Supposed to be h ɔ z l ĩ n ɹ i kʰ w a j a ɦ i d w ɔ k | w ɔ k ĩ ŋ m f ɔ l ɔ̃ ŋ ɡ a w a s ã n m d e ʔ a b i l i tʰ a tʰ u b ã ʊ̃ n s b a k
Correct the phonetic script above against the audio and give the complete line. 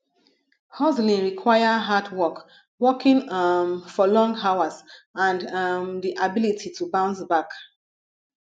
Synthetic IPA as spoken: h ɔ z l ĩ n ɹ i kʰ w a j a ɦ a d w ɔ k | w ɔ k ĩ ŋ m f ɔ l ɔ̃ ŋ ɡ a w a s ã n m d i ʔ a b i l i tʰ i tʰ u b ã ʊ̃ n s b a k